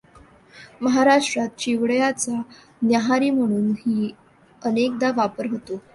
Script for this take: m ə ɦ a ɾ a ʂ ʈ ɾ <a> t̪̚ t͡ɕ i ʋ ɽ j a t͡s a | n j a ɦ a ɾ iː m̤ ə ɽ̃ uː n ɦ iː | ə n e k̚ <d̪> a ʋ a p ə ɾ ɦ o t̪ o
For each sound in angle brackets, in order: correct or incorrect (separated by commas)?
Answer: correct, correct